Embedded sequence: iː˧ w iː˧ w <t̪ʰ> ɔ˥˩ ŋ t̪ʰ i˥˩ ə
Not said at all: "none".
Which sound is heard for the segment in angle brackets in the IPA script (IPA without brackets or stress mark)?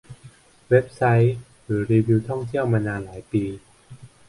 t̪ʰ